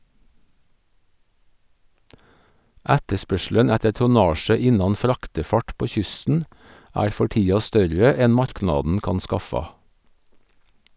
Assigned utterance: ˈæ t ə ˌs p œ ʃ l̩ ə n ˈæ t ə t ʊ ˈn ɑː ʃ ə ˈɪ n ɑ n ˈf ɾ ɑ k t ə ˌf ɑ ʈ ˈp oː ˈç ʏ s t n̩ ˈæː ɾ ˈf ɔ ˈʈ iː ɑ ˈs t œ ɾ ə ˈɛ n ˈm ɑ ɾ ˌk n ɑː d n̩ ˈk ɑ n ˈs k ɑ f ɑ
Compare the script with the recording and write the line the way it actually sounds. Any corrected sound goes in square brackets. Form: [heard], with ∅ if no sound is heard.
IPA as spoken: ˈæ t ə ˌs p œ ʃ l̩ ə n ˈæ t ə t ʊ ˈn ɑː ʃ ə ˈɪ n ɑ n ˈf ɾ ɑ k t ə ˌf ɑ ʈ ˈp oː ˈç ʏ s t n̩ ˈæː ɾ ˈf ɔ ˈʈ iː ɑ ˈs t œ ɾ ə ˈɛ n ˈm ɑ ɾ ˌk n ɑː d n̩ ˈk ɑ n ˈs k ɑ f ɑ